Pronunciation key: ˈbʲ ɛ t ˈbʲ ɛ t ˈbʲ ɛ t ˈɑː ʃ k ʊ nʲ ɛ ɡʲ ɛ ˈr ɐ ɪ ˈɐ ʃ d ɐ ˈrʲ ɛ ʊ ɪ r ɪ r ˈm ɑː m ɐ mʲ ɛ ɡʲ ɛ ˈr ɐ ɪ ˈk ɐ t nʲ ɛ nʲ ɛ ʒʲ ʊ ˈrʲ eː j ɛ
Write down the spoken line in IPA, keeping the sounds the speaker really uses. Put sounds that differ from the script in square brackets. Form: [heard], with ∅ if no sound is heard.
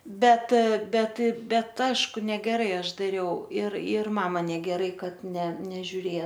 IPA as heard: ˈbʲ ɛ t ˈbʲ ɛ t ˈbʲ ɛ t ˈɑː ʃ k ʊ nʲ ɛ ɡʲ ɛ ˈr ɐ ɪ ˈɐ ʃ d ɐ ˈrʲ ɛ ʊ ɪ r ɪ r ˈm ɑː m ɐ [nʲ] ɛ ɡʲ ɛ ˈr ɐ ɪ ˈk ɐ t nʲ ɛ nʲ ɛ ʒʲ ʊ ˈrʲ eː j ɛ